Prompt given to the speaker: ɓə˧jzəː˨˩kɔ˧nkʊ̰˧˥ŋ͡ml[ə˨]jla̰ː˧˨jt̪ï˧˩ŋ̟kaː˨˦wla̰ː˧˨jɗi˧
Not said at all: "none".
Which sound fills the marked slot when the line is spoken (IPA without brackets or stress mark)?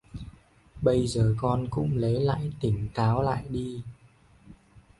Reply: ə˨˦